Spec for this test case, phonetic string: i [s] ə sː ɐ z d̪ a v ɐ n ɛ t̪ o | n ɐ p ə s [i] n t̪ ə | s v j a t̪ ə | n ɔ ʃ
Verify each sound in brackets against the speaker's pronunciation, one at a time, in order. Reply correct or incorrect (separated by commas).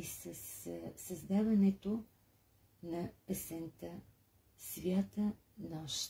correct, incorrect